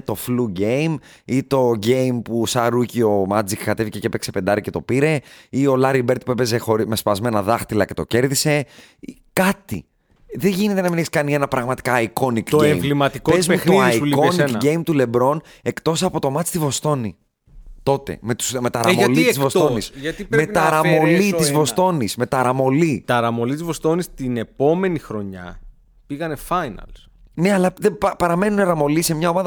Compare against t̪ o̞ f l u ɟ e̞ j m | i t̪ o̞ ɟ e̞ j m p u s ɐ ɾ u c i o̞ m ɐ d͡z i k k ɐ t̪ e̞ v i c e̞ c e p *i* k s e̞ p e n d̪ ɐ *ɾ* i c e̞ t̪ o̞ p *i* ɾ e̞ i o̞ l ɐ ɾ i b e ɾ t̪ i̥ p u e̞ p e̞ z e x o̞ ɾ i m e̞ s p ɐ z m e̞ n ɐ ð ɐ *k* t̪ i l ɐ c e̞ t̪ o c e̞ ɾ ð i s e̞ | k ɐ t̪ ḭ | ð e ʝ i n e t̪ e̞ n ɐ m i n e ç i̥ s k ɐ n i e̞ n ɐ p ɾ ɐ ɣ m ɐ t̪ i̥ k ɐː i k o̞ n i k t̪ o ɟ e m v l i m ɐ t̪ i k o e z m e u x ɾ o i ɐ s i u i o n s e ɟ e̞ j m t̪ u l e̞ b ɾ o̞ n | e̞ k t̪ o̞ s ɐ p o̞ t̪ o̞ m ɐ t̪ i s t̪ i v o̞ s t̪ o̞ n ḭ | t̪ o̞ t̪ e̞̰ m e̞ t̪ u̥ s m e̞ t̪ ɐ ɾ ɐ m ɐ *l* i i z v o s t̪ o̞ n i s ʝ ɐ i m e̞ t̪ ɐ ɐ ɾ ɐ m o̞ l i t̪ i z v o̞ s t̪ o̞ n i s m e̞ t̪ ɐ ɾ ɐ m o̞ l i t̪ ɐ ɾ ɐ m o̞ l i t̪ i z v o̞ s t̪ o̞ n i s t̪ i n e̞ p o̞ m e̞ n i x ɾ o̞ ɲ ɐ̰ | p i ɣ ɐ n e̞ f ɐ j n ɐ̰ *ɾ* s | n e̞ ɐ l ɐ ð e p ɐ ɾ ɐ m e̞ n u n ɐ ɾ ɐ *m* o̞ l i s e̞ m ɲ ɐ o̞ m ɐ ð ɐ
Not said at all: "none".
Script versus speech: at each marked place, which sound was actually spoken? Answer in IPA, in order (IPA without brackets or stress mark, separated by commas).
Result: e, ɾ, i, x, l, l, m